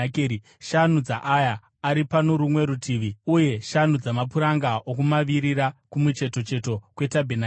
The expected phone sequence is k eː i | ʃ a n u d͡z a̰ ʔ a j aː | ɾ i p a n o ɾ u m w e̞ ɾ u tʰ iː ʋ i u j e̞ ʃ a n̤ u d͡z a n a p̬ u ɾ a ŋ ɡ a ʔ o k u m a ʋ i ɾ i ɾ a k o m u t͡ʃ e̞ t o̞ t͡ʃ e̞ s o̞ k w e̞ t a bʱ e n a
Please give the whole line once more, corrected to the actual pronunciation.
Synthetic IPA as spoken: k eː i | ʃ a n u d͡z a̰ ʔ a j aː | ɾ i p a n o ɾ u m w e̞ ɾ u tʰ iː ʋ i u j e̞ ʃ a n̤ u d͡z a m a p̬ u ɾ a ŋ ɡ a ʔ o k u m a ʋ i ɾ i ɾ a k u m u t͡ʃ e̞ t o̞ t͡ʃ e̞ t o̞ k w e̞ t a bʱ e n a